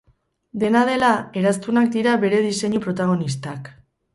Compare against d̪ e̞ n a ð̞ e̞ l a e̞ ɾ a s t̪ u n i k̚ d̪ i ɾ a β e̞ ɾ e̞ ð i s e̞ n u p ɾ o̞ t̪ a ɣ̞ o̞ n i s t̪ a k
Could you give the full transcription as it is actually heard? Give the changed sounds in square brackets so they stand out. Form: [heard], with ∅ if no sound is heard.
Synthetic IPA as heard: d̪ e̞ n a ð̞ e̞ l a e̞ ɾ a s t̪ u n [a] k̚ d̪ i ɾ a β e̞ ɾ e̞ ð i s e̞ [ɲ] u p ɾ o̞ t̪ a ɣ̞ o̞ n i s t̪ a k